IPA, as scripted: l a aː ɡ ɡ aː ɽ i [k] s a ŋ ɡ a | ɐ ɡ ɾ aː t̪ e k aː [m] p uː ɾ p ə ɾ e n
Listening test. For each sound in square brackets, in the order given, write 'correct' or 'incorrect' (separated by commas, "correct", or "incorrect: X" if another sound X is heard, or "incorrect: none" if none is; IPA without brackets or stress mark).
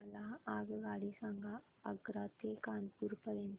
incorrect: none, incorrect: n